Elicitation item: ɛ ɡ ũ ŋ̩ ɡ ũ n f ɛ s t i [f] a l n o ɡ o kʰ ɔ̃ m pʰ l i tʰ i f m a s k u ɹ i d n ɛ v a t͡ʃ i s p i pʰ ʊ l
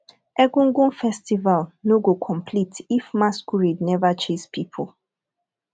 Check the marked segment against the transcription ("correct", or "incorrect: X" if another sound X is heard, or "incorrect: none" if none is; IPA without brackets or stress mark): incorrect: v